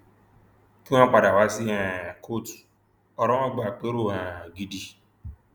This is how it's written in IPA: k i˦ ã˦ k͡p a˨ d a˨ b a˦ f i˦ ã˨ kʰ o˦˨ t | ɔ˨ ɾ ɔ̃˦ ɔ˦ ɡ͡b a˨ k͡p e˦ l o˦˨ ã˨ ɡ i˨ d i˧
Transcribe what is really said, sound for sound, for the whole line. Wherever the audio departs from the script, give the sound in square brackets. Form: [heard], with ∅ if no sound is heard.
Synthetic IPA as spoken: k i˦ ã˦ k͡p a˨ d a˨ [w] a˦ [s] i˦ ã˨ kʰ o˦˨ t | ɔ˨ ɾ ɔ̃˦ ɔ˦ ɡ͡b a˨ k͡p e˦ [ɾ] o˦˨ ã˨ ɡ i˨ d i˧